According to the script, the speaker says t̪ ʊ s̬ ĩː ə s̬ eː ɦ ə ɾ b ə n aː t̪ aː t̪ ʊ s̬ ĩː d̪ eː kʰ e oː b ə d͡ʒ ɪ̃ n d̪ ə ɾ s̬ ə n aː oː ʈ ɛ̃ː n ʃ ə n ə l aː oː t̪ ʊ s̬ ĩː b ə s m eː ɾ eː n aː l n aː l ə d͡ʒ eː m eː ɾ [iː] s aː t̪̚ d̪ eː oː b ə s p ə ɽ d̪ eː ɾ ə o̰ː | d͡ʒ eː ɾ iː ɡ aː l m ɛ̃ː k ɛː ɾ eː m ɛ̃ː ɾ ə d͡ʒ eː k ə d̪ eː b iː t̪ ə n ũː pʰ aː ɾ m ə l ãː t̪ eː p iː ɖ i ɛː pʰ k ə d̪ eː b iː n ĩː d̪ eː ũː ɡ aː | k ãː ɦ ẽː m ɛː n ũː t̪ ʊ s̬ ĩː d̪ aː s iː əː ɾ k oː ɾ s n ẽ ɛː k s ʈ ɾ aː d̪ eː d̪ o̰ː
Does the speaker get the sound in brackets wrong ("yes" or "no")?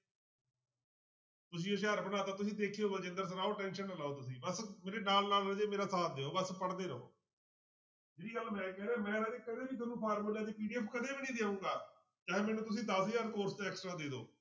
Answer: yes